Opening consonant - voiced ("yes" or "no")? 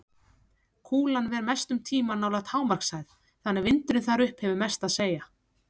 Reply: no